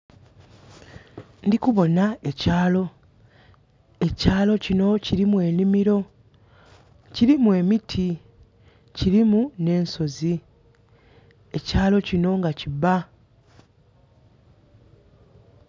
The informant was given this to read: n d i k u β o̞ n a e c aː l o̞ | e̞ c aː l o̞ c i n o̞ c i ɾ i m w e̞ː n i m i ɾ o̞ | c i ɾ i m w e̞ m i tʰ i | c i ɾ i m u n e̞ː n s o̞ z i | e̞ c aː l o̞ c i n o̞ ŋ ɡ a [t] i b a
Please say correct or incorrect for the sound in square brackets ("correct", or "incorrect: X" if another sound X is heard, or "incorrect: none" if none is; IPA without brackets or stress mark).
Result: incorrect: c